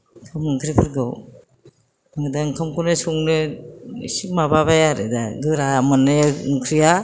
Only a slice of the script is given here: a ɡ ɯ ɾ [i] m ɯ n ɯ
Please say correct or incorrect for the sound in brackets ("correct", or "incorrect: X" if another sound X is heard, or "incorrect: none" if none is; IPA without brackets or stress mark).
incorrect: a